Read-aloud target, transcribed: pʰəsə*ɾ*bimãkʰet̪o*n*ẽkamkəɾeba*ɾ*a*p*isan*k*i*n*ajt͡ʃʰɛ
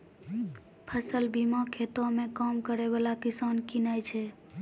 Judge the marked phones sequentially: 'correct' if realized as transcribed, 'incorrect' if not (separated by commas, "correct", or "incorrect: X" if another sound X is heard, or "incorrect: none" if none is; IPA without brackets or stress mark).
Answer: incorrect: l, incorrect: m, incorrect: l, incorrect: k, correct, correct